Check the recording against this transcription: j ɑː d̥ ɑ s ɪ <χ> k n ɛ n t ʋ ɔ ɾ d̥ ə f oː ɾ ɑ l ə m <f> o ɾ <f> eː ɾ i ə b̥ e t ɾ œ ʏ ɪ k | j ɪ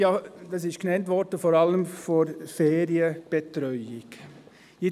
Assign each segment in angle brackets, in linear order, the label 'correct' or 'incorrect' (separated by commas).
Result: incorrect, correct, correct